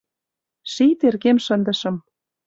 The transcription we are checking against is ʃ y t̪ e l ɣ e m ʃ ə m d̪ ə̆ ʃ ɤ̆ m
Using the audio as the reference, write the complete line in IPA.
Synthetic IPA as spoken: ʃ i t̪ e r ɣ e m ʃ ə n d̪ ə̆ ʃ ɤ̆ m

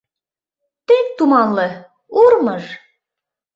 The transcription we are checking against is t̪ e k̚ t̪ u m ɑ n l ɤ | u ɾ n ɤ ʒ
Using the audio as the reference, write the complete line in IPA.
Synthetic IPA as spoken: t̪ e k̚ t̪ u m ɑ n l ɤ | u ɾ m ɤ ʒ

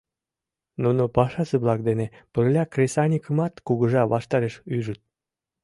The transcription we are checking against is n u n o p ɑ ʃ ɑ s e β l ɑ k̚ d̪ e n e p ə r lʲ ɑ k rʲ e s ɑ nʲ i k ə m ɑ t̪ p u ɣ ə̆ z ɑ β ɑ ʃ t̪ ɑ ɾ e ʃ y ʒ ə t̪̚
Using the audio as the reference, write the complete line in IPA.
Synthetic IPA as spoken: n u n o p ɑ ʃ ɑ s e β l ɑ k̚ d̪ e n e p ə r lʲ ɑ k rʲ e s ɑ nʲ i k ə m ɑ t̪ k u ɣ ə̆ ʒ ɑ β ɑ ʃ t̪ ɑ ɾ e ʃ y ʒ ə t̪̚

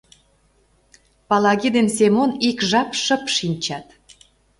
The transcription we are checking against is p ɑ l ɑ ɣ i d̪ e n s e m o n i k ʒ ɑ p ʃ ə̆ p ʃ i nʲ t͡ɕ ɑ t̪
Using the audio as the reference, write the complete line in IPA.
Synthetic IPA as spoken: p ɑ l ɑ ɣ i d̪ e n s e m o n i k ʒ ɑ p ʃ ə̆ p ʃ i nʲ t͡ɕ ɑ t̪

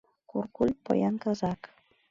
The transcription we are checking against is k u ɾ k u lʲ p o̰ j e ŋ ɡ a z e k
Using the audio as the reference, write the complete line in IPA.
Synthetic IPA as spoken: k u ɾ k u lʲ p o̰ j a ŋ k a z a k

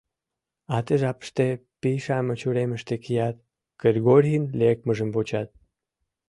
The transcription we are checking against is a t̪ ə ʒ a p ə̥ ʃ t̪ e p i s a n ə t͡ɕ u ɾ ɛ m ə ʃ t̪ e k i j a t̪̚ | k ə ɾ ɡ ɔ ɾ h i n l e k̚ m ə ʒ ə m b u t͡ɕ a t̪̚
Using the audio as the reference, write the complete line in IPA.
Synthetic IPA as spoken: a t̪ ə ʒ a p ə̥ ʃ t̪ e p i ʃ a m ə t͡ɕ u ɾ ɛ m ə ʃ t̪ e k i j a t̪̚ | k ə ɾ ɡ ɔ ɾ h i n l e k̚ m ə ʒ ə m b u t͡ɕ a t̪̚

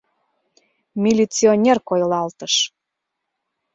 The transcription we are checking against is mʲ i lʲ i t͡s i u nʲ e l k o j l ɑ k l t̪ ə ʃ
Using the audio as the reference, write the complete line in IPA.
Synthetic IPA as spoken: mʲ i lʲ i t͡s i o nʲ e r k o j l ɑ l t̪ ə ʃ

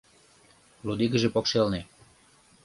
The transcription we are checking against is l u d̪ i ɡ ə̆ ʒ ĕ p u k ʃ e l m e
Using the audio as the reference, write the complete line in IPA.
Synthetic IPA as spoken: l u d̪ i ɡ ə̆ ʒ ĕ p o k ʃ e l n e

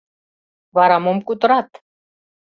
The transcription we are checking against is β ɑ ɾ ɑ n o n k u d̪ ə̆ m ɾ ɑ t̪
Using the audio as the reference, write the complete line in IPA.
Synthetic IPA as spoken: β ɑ ɾ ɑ m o m k u t̪ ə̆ ɾ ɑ t̪

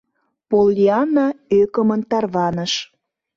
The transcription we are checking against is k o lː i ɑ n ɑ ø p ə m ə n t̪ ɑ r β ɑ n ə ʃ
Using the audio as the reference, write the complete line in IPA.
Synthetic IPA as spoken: p o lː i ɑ n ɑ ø k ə m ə n t̪ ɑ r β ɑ n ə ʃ

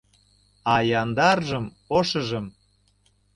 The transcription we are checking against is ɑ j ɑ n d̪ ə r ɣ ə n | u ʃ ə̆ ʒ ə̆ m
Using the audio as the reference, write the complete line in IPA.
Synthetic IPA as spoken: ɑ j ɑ n d̪ ɑ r ʒ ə m | o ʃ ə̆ ʒ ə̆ m

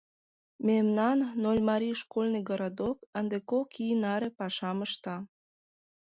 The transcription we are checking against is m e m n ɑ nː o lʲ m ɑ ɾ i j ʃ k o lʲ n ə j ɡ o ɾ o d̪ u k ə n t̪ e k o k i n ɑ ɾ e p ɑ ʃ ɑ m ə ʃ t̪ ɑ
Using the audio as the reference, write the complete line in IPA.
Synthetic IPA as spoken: m e m n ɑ nː o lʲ m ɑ ɾ i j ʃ k o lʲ n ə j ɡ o ɾ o d̪ o k ə n d̪ e k o k i n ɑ ɾ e p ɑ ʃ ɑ m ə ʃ t̪ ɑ

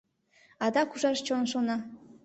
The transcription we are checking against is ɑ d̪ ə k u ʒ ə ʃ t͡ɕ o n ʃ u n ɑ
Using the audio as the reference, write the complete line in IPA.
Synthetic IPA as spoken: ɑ d̪ ɑ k u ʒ ɑ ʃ t͡ɕ o n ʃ o n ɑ

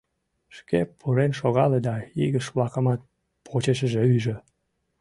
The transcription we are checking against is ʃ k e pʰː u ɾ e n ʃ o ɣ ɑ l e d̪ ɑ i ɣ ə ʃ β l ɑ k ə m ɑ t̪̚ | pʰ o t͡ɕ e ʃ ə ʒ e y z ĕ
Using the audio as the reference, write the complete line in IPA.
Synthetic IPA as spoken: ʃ k e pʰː u ɾ e n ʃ o ɣ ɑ l e d̪ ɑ i ɣ ə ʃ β l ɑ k ə m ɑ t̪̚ | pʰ o t͡ɕ e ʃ ə ʒ e y ʒ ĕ

